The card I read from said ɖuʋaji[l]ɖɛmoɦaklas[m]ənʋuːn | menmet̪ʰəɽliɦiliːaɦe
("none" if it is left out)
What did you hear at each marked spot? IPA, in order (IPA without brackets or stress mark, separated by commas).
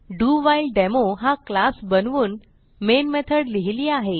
l, b